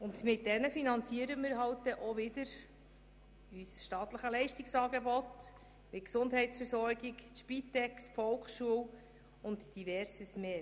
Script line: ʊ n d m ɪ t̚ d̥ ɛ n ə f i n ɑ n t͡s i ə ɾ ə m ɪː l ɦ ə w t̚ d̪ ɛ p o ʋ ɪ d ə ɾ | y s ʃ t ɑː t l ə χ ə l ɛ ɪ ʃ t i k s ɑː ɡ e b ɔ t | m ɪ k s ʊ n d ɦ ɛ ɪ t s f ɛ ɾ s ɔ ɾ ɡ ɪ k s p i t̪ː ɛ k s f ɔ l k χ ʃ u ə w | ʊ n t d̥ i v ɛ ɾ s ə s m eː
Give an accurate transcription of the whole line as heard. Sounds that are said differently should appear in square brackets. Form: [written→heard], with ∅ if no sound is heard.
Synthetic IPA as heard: ʊ n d m ɪ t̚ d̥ ɛ n ə f i n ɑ n t͡s i ə ɾ ə m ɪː [l→ɾ] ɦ [ə→ɑ] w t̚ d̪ ɛ [p→ʔ] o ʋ ɪ d ə ɾ | y s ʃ t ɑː t l ə χ ə l ɛ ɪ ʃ t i k s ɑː ɡ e b ɔ t | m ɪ k s ʊ n d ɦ ɛ ɪ t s f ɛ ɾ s ɔ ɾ ɡ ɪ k [s→ʃ] p i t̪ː ɛ k s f ɔ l k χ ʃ u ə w | ʊ n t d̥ i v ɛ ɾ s ə s m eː